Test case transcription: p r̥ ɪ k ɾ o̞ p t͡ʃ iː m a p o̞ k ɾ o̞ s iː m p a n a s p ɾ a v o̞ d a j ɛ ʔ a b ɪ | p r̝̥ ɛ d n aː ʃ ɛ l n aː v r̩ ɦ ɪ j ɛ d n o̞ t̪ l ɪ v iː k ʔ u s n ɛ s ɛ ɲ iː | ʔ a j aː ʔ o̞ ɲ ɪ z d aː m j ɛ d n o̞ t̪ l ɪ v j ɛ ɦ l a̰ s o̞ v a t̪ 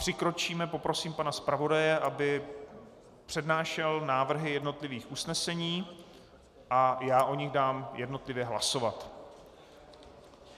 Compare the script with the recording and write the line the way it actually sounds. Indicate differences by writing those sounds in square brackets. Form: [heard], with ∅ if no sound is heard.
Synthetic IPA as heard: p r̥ ɪ k ɾ o̞ [∅] t͡ʃ iː m [ɛ] p o̞ [p] ɾ o̞ s iː m p a n a s p ɾ a v o̞ d a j ɛ ʔ a b ɪ | p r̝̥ ɛ d n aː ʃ ɛ l n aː v r̩ ɦ ɪ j ɛ d n o̞ t̪ l ɪ v iː [x] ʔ u s n ɛ s ɛ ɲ iː | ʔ a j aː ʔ o̞ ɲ ɪ [ɣ] d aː m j ɛ d n o̞ t̪ l ɪ v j ɛ ɦ l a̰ s o̞ v a t̪

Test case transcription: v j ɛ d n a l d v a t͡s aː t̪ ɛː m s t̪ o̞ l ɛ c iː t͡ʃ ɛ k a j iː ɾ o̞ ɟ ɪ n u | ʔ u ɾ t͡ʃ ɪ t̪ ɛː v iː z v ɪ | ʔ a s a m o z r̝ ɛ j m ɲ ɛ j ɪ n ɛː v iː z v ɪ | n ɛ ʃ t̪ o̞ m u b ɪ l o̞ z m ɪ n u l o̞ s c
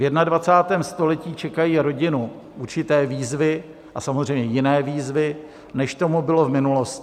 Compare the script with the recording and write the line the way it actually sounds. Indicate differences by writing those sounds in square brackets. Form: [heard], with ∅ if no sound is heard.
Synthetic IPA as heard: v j ɛ d n a [∅] d v a t͡s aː t̪ ɛː m s t̪ o̞ l ɛ c iː t͡ʃ ɛ k a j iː ɾ o̞ ɟ ɪ n u | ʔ u ɾ t͡ʃ ɪ t̪ ɛː v iː z v ɪ | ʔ a s a m o z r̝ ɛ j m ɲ ɛ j ɪ n ɛː v iː z v ɪ | n ɛ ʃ t̪ o̞ m u b ɪ l o̞ [v] m ɪ n u l o̞ s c

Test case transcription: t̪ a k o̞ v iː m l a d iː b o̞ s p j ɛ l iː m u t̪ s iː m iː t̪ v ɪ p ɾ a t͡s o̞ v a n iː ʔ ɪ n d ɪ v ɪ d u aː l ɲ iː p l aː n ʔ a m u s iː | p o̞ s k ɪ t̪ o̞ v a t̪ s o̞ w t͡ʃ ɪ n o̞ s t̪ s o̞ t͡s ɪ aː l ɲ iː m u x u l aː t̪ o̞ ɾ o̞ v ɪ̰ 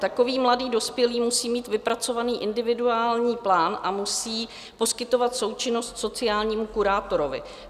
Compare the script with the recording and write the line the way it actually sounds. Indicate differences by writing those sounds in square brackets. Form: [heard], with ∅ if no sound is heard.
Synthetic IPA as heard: t̪ a k o̞ v iː m l a d iː [d] o̞ s p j ɛ l iː m u [∅] s iː m iː t̪ v ɪ p ɾ a t͡s o̞ v a n iː ʔ ɪ n d ɪ v ɪ d u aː l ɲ iː p l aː n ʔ a m u s iː | p o̞ s k ɪ t̪ o̞ v a t̪ s o̞ w t͡ʃ ɪ n o̞ s t̪ s o̞ t͡s ɪ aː l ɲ iː m u [k] u [ɾ] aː t̪ o̞ ɾ o̞ v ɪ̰

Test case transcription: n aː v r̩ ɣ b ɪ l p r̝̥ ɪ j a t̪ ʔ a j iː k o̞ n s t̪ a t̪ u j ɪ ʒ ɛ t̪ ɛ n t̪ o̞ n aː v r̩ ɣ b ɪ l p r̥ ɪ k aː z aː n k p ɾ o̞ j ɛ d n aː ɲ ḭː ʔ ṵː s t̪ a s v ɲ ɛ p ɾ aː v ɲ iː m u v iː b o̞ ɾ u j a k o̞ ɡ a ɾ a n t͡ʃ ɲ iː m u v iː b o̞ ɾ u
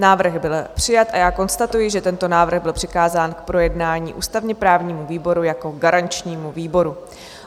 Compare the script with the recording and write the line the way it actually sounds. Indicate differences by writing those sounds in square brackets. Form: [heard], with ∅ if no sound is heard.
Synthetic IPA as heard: n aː v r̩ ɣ b ɪ l p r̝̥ ɪ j a t̪ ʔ a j [aː] k o̞ n s t̪ a t̪ u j ɪ ʒ ɛ t̪ ɛ n t̪ o̞ n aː v r̩ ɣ b ɪ l p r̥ ɪ k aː z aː n k p ɾ o̞ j ɛ d n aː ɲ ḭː ʔ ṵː s t̪ a [∅] v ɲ ɛ p ɾ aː v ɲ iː m u v iː b o̞ ɾ u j a k o̞ ɡ a ɾ a n t͡ʃ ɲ iː m u v iː b o̞ ɾ u

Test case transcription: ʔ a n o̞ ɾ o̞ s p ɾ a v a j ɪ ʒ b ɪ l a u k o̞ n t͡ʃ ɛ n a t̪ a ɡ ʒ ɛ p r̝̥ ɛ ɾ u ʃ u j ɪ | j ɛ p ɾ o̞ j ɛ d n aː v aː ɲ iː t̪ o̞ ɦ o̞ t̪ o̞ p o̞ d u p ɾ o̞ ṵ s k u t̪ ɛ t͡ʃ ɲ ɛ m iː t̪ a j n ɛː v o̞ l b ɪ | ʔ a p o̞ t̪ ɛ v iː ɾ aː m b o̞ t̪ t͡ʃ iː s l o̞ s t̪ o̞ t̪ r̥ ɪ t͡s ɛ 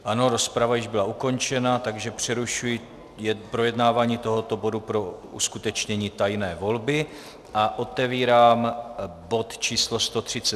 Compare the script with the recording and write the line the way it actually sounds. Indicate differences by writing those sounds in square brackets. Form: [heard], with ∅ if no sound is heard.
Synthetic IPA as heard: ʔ a n o̞ ɾ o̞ s p ɾ a v a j ɪ ʒ b ɪ l a u k o̞ n t͡ʃ ɛ n a t̪ a ɡ ʒ ɛ p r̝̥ ɛ ɾ u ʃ u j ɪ | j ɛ p ɾ o̞ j ɛ d n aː v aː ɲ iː t̪ o̞ ɦ o̞ t̪ o̞ [b] o̞ d u p ɾ o̞ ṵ s k u t̪ ɛ t͡ʃ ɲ ɛ [ɲ] iː t̪ a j n ɛː v o̞ l b ɪ | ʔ a [ʔ] o̞ t̪ ɛ v iː ɾ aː m b o̞ t̪ t͡ʃ iː s l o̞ s t̪ o̞ t̪ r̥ ɪ t͡s ɛ

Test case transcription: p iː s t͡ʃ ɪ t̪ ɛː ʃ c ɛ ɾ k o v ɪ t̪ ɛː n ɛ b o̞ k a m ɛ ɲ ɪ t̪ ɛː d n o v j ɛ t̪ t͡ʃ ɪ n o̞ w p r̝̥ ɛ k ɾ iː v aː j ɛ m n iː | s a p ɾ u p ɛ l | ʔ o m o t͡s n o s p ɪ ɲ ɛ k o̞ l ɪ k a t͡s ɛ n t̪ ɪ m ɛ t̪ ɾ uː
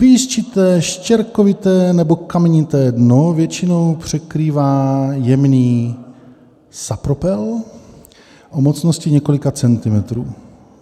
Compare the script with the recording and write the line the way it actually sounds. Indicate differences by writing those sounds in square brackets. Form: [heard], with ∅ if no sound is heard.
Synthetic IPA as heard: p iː s t͡ʃ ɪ t̪ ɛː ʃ c ɛ ɾ k o v ɪ t̪ ɛː n ɛ b o̞ k a m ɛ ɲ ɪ t̪ ɛː d n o v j ɛ [∅] t͡ʃ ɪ n o̞ w p r̝̥ ɛ k ɾ iː v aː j ɛ m n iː | s a p ɾ [o] p ɛ l | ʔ o m o t͡s n o s [c] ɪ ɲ ɛ k o̞ l ɪ k a t͡s ɛ n t̪ ɪ m ɛ t̪ ɾ uː

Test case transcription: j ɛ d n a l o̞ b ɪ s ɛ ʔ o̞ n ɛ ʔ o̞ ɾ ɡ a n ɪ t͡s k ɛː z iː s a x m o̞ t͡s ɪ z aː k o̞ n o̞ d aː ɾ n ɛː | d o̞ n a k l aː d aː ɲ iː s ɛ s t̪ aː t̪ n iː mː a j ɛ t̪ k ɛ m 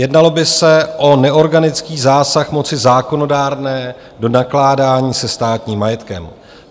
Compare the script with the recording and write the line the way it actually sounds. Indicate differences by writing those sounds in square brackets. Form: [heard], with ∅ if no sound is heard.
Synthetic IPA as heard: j ɛ d n a l o̞ b ɪ s ɛ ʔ o̞ n ɛ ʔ o̞ ɾ ɡ a n ɪ t͡s k [iː] z [aː] s a x m o̞ t͡s ɪ z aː k o̞ n o̞ d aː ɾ n ɛː | d o̞ n a k l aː d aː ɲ iː s ɛ s t̪ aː t̪ [ɲ] iː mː a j ɛ t̪ k ɛ m

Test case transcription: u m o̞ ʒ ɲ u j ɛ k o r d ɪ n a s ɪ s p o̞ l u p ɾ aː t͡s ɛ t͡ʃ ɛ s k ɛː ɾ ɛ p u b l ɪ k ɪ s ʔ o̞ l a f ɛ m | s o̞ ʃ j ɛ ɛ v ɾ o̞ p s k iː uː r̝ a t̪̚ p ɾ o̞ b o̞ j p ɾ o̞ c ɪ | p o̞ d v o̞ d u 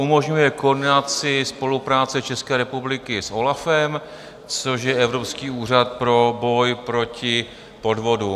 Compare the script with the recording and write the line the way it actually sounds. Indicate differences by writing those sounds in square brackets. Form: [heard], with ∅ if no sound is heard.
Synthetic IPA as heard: u m o̞ ʒ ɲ u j ɛ k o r d ɪ n a [t͡s] ɪ s p o̞ l u p ɾ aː t͡s ɛ t͡ʃ ɛ s k ɛː ɾ ɛ p u b l ɪ k ɪ s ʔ o̞ l a f ɛ m | [t͡s] o̞ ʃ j ɛ ɛ v ɾ o̞ p s k iː uː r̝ a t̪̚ p ɾ o̞ b o̞ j p ɾ o̞ c ɪ | p o̞ d v o̞ d u

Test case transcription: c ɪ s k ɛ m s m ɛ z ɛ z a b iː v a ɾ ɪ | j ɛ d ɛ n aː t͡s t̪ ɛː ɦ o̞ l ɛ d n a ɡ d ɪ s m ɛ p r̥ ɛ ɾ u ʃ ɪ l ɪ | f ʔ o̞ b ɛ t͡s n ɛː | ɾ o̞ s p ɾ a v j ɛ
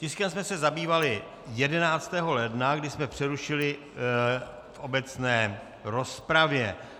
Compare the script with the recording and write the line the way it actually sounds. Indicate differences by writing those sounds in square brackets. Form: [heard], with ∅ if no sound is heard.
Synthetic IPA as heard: c ɪ s k ɛ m s m ɛ [s] ɛ z a b iː v a [l] ɪ | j ɛ d ɛ n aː t͡s t̪ ɛː ɦ o̞ l ɛ d n a ɡ d ɪ s m ɛ p r̥ ɛ ɾ u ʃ ɪ l ɪ | f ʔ o̞ b ɛ t͡s n ɛː | ɾ o̞ s p ɾ a v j ɛ

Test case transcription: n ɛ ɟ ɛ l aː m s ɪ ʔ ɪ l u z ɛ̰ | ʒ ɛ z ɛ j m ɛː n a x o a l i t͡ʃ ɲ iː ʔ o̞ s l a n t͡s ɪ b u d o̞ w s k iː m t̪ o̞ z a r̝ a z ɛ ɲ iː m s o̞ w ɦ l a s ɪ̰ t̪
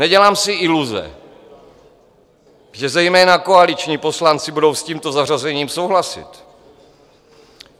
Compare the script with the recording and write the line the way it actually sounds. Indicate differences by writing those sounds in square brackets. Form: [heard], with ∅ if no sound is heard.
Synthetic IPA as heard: n ɛ ɟ ɛ l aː m s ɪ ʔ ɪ l u z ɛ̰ | ʒ ɛ z ɛ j m ɛː n a [k] o a l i t͡ʃ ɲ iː [p] o̞ s l a n t͡s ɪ b u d o̞ w s [c] iː m t̪ o̞ z a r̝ a z ɛ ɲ iː m s o̞ w ɦ l a s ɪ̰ t̪

